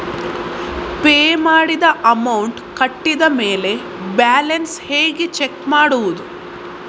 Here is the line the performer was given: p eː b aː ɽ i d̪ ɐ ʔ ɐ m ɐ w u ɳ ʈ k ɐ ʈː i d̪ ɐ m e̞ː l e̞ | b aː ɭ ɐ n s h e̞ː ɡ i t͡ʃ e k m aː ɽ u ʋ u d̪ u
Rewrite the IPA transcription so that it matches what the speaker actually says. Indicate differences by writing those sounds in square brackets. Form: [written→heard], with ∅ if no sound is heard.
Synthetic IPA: p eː [b→m] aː ɽ i d̪ ɐ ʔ ɐ m ɐ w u ɳ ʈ k ɐ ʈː i d̪ ɐ m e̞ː l e̞ | b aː [ɭ→l] ɐ n s h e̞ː ɡ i t͡ʃ e k m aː ɽ u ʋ u d̪ u